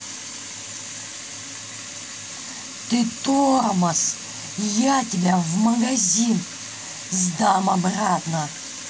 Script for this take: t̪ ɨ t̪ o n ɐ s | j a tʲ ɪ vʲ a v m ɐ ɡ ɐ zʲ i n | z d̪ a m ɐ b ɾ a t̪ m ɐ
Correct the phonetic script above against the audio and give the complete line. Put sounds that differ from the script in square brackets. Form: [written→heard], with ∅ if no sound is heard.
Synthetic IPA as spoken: t̪ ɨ t̪ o [n→m] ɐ s | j a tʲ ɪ [vʲ→bʲ] a v m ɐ ɡ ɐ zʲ i n | z d̪ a m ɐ b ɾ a t̪ [m→n] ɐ